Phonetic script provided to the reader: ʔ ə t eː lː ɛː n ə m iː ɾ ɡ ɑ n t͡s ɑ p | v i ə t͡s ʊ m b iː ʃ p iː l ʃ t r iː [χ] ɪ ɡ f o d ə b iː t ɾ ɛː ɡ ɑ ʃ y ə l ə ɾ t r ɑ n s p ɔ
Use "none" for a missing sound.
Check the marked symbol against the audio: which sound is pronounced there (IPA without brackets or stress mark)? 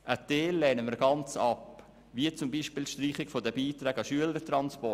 χ